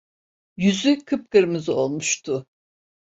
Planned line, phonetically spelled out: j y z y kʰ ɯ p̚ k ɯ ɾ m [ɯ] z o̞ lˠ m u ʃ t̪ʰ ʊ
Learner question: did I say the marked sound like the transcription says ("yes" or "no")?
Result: yes